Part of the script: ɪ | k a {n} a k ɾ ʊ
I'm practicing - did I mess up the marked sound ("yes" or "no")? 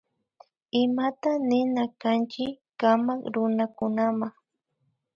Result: yes